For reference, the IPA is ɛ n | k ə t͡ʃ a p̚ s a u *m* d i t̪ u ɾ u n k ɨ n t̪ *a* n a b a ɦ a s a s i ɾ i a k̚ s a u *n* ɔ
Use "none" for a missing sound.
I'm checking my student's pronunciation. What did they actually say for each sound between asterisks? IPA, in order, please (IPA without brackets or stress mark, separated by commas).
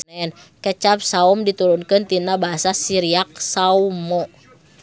m, i, m